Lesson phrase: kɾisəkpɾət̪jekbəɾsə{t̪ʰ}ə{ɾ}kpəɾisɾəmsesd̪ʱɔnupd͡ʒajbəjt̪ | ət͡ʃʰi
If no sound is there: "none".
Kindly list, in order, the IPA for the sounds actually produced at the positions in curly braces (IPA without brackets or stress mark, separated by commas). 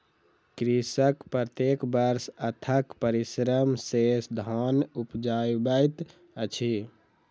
t̪ʰ, none